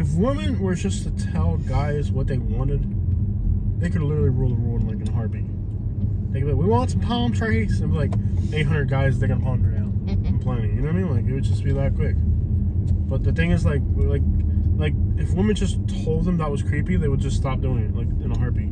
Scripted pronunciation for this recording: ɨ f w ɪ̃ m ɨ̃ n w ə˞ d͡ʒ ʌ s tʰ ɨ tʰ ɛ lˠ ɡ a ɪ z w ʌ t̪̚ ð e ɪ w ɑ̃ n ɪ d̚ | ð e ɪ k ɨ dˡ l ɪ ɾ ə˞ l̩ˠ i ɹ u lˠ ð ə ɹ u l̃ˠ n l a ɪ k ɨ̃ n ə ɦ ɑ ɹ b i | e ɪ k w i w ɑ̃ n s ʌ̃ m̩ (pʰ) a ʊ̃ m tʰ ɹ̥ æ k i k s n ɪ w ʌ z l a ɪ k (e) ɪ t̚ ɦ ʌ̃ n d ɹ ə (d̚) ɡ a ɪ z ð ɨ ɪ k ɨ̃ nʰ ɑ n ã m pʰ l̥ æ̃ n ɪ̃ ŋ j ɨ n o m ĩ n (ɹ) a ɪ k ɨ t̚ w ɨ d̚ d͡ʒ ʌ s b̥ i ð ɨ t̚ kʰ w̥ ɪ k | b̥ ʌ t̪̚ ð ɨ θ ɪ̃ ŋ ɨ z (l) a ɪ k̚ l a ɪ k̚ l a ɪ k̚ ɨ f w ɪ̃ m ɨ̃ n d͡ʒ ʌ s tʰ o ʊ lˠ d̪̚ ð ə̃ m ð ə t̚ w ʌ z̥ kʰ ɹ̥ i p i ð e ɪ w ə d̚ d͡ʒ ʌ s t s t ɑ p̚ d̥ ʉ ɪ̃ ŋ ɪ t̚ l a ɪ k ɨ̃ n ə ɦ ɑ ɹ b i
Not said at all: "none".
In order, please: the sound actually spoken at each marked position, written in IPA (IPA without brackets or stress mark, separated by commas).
pʰ, e, d̚, l, l